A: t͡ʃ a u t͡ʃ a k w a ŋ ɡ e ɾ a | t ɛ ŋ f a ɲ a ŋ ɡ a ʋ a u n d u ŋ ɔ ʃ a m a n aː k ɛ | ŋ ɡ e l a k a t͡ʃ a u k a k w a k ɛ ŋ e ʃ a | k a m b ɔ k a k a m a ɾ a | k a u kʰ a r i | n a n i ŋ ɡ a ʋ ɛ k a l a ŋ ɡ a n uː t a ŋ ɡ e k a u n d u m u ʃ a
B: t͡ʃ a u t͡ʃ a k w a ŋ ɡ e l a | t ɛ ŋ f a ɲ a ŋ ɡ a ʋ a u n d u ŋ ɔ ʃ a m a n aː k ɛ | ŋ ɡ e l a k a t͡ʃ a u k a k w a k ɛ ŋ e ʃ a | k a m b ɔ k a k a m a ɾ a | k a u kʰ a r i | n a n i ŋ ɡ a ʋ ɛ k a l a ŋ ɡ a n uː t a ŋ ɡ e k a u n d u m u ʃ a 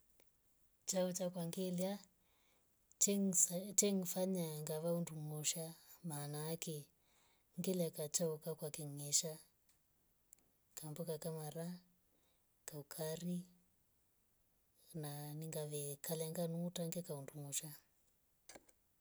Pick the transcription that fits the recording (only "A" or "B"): B